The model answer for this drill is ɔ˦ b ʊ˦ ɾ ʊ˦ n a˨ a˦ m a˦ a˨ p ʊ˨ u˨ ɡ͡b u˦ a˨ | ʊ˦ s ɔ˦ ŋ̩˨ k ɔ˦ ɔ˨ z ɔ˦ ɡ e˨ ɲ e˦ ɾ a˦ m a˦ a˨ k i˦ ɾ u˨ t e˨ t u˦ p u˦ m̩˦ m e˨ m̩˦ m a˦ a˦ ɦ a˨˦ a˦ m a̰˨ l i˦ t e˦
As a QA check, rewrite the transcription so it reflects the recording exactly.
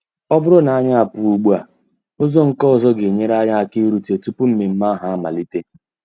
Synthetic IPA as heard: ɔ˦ b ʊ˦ ɾ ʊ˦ n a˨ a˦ ɲ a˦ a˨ p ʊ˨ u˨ ɡ͡b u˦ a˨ | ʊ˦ z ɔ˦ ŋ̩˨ k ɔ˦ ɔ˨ z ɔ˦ ɡ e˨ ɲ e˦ ɾ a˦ ɲ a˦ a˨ k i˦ ɾ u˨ t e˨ t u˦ p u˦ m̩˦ m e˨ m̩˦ m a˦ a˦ ɦ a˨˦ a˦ m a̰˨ l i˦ t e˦